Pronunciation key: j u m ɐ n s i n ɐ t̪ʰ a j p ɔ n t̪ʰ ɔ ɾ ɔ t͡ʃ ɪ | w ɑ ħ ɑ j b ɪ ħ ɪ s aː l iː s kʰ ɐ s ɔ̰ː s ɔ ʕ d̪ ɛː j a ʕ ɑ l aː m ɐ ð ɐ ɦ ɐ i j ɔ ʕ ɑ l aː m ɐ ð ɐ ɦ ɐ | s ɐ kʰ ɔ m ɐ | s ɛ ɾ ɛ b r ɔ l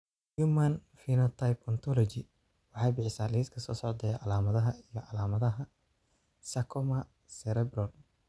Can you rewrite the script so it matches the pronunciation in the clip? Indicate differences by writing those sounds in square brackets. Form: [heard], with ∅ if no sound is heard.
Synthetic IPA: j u m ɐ n [f] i n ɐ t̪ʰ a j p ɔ n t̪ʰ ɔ [l] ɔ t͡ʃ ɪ | w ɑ ħ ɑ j b ɪ ħ ɪ s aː l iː s kʰ ɐ s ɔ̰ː s ɔ ʕ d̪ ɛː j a ʕ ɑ l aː m ɐ ð ɐ ɦ ɐ i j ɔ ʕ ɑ l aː m ɐ ð ɐ ɦ ɐ | s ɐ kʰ ɔ m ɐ | s ɛ ɾ ɛ b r ɔ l